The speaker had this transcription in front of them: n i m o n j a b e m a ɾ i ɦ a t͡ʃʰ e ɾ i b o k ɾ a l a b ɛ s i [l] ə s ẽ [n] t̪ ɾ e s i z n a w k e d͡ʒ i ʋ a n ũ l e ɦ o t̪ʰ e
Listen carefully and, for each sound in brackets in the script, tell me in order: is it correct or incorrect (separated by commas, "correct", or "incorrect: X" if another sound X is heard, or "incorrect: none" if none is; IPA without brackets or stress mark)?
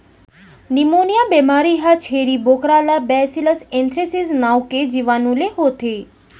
correct, correct